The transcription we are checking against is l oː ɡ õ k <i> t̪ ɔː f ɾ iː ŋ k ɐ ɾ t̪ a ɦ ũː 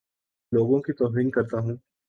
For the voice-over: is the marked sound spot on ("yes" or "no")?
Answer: yes